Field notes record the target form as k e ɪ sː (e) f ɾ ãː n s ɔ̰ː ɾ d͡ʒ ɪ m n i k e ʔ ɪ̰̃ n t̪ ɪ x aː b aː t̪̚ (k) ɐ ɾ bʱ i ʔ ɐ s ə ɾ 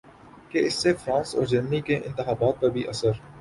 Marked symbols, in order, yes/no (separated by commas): yes, no